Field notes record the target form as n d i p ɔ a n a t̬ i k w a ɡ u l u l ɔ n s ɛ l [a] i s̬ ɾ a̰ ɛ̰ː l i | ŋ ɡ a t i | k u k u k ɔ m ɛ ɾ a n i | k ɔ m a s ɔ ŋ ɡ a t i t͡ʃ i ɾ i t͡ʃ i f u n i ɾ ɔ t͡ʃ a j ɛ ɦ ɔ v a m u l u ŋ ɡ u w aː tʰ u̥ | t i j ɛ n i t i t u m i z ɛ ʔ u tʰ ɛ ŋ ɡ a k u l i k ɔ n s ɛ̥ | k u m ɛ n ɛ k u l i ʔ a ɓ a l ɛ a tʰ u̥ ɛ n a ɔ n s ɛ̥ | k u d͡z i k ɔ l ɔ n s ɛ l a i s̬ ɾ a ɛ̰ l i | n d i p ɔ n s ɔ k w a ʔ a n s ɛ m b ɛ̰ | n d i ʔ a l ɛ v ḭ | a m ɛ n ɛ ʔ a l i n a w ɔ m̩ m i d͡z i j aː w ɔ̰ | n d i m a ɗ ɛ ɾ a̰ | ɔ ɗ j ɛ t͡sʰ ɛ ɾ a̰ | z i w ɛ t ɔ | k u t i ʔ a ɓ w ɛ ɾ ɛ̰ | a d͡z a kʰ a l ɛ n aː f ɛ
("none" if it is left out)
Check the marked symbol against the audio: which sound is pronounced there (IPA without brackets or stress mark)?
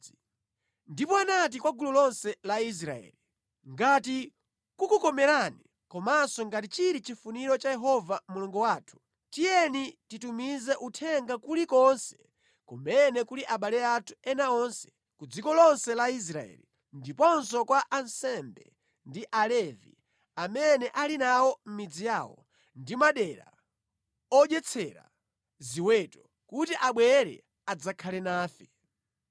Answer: a